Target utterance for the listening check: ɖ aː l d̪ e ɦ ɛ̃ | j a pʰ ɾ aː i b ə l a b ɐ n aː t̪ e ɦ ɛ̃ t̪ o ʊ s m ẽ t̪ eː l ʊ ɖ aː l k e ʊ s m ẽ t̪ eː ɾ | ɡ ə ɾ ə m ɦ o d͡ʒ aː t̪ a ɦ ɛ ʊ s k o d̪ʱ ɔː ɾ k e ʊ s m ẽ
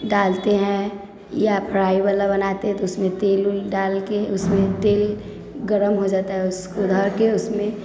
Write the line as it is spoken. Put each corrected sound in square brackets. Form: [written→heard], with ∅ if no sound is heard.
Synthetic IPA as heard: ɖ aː l [d̪→t̪] e ɦ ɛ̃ | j a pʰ ɾ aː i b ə l a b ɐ n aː t̪ e ɦ ɛ̃ t̪ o ʊ s m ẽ t̪ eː l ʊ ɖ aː l k e ʊ s m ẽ t̪ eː [ɾ→l] | ɡ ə ɾ ə m ɦ o d͡ʒ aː t̪ a ɦ ɛ ʊ s k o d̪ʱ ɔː ɾ k e ʊ s m ẽ